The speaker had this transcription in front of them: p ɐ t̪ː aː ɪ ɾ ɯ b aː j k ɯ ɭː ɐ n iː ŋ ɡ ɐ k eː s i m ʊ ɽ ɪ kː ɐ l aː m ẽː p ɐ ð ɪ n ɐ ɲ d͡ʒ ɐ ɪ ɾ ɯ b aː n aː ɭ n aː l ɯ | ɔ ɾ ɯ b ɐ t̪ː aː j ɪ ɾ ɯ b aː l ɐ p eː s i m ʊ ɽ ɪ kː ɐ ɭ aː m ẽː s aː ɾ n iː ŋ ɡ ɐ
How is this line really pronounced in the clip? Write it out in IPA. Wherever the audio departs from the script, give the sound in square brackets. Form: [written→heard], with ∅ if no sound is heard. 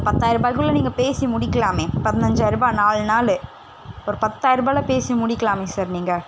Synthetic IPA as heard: p ɐ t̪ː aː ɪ ɾ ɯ b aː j k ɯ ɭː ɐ n iː ŋ ɡ ɐ [k→p] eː s i m ʊ ɽ ɪ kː ɐ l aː m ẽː p ɐ ð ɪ n ɐ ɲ d͡ʒ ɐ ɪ ɾ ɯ b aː n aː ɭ n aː l ɯ | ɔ ɾ ɯ [b→p] ɐ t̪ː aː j ɪ ɾ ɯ b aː l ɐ p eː s i m ʊ ɽ ɪ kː ɐ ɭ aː m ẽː s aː ɾ n iː ŋ ɡ ɐ

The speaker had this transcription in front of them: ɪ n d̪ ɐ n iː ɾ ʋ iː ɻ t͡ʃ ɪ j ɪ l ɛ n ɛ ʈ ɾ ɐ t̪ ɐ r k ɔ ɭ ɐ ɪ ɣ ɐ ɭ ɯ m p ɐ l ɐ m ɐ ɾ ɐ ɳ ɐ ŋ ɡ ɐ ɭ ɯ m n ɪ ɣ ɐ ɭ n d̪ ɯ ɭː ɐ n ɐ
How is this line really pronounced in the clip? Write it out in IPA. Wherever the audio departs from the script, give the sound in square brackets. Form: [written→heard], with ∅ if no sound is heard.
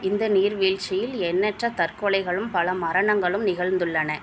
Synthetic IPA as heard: ɪ n d̪ ɐ n iː ɾ ʋ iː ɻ t͡ʃ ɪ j ɪ l ɛ [n→nː] ɛ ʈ [ɾ→r] ɐ t̪ ɐ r k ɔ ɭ ɐ ɪ ɣ ɐ ɭ ɯ m p ɐ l ɐ m ɐ ɾ ɐ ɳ ɐ ŋ ɡ ɐ ɭ ɯ m n ɪ ɣ ɐ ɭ n d̪ ɯ ɭː ɐ n ɐ

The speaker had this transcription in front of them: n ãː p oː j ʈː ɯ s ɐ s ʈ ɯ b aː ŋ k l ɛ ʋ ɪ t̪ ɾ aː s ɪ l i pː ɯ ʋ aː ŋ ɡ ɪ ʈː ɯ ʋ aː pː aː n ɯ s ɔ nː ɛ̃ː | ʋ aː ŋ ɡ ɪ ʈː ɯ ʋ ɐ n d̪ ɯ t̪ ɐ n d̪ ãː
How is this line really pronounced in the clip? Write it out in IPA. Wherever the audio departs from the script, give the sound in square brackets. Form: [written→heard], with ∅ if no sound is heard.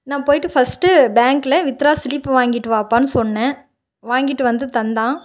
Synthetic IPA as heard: n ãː p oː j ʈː ɯ [s→f] ɐ s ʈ ɯ b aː ŋ k l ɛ ʋ ɪ t̪ ɾ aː s ɪ l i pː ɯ ʋ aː ŋ ɡ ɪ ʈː ɯ ʋ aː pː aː n ɯ s ɔ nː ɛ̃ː | ʋ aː ŋ ɡ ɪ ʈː ɯ ʋ ɐ n d̪ ɯ t̪ ɐ n d̪ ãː

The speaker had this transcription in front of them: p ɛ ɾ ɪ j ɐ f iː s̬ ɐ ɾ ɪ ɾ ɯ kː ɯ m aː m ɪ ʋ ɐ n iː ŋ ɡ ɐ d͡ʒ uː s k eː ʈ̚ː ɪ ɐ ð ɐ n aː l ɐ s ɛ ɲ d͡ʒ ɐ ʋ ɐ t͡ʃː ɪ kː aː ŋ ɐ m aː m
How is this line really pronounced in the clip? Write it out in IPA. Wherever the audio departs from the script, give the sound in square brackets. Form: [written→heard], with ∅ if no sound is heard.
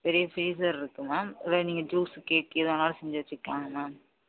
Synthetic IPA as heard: p ɛ ɾ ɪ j ɐ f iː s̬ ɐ ɾ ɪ ɾ ɯ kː ɯ m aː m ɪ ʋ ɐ n iː ŋ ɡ ɐ d͡ʒ uː s k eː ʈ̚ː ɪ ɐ ð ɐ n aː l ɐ s ɛ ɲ d͡ʒ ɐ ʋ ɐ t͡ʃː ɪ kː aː ŋ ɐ m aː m

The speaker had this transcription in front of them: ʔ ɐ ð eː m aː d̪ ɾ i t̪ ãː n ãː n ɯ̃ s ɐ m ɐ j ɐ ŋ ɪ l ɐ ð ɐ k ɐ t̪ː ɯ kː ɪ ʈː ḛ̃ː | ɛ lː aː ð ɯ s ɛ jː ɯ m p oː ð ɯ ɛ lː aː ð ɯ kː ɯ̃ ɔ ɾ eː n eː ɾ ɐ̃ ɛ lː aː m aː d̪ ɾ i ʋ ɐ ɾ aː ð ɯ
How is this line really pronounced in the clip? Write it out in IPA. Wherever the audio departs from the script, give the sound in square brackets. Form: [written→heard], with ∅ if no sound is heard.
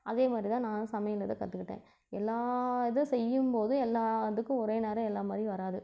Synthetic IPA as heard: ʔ ɐ ð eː m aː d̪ ɾ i t̪ ãː n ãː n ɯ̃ s ɐ m ɐ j ɐ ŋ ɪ l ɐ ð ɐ k ɐ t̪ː ɯ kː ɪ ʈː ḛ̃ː | ɛ lː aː ð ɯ s ɛ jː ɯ m p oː ð ɯ ɛ lː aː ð ɯ kː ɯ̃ ɔ ɾ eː n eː ɾ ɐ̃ ɛ lː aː m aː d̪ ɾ i ʋ ɐ ɾ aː ð ɯ

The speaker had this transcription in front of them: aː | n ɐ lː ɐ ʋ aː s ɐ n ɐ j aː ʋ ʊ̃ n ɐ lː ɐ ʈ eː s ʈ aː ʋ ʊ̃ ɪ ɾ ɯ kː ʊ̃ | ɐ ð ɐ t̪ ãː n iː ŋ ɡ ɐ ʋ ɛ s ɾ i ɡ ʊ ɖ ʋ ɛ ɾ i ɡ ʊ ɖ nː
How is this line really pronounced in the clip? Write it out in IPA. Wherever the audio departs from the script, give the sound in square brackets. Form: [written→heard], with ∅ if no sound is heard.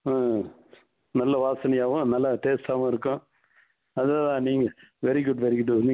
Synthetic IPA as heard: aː | n ɐ lː ɐ ʋ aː s ɐ n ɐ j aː ʋ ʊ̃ n ɐ lː ɐ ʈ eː s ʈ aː ʋ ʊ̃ ɪ ɾ ɯ kː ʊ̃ | ɐ ð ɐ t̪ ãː n iː ŋ ɡ ɐ ʋ ɛ [s→∅] ɾ i ɡ ʊ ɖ ʋ ɛ ɾ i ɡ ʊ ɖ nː

